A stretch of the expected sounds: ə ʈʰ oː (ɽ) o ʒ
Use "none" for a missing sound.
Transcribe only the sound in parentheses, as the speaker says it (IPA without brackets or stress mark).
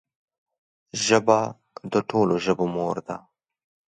l